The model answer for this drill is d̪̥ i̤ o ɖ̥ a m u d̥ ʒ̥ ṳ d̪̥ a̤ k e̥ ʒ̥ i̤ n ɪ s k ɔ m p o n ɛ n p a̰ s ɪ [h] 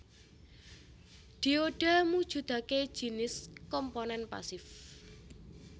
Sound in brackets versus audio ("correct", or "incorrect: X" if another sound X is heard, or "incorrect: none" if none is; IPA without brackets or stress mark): incorrect: f